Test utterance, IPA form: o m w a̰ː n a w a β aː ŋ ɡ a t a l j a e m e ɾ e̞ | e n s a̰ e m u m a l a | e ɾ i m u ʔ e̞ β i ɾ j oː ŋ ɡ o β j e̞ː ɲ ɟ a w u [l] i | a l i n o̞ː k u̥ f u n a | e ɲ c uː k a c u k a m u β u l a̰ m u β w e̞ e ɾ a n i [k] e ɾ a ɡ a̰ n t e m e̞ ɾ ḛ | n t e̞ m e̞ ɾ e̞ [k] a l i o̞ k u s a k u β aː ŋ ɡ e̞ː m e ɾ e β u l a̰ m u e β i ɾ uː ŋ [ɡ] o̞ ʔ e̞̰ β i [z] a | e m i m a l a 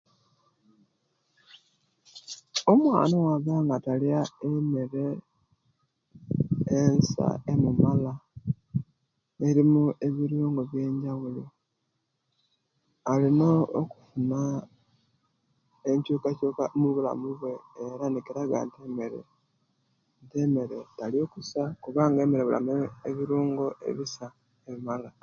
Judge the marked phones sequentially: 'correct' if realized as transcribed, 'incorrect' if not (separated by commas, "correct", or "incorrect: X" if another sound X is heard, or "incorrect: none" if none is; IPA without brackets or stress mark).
correct, correct, incorrect: t, correct, incorrect: s